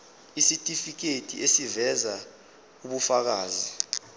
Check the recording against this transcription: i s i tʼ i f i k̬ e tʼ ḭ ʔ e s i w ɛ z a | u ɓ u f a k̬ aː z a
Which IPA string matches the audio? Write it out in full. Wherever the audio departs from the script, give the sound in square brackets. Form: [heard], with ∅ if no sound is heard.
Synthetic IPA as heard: i s i tʼ i f i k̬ e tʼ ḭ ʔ e s i [v] ɛ z a | u ɓ u f a k̬ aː z [i]